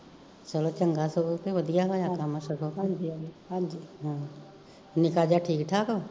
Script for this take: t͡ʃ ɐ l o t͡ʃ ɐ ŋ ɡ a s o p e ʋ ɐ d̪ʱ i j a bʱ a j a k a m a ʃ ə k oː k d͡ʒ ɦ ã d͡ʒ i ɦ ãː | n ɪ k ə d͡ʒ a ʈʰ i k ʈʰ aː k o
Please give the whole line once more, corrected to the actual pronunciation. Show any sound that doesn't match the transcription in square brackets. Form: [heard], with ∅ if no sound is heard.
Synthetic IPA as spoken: t͡ʃ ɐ l o t͡ʃ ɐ ŋ ɡ a s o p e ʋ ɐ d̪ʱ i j a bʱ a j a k a m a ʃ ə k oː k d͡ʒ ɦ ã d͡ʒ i ɦ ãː | n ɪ k [a] d͡ʒ a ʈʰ [iː] k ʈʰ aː k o